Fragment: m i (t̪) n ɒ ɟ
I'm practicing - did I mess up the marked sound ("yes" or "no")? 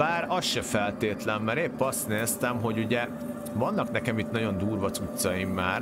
no